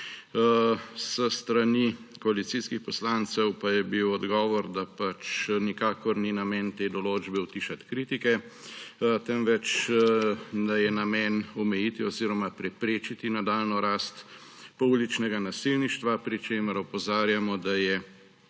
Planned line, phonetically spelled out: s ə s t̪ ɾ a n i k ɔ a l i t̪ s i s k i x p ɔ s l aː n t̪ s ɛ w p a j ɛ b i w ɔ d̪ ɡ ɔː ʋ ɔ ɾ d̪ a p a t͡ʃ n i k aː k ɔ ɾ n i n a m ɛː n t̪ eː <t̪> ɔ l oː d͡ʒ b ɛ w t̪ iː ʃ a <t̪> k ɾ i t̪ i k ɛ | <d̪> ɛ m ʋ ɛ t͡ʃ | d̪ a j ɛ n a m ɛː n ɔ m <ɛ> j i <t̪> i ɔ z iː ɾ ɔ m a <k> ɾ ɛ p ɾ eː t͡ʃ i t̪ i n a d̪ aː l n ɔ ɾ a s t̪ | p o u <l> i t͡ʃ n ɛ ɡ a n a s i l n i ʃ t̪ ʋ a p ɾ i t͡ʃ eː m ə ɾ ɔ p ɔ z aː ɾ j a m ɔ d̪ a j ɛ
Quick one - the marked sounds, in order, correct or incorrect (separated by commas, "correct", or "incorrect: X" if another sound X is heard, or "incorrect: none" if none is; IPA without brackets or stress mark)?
incorrect: d̪, correct, incorrect: t̪, correct, correct, incorrect: p, correct